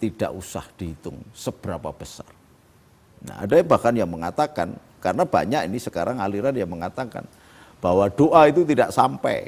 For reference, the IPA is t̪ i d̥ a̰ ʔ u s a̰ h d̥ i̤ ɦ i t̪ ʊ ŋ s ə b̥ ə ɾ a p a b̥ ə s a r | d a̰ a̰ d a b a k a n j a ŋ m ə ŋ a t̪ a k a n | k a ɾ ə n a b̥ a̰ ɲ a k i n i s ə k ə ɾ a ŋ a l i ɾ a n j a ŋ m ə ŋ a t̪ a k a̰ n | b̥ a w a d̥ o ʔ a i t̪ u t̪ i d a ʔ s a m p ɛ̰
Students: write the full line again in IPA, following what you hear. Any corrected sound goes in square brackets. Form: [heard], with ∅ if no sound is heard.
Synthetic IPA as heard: t̪ i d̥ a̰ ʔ u s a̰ h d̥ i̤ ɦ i t̪ ʊ ŋ s ə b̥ ə ɾ a p a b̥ ə s a r | [n] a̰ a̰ d a b a k a n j a ŋ m ə ŋ a t̪ a k a n | k a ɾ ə n a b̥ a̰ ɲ a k i n i s ə k [a] ɾ a ŋ a l i ɾ a n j a ŋ m ə ŋ a t̪ a k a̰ n | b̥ a w a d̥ o ʔ a i t̪ u t̪ i d a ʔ s a m p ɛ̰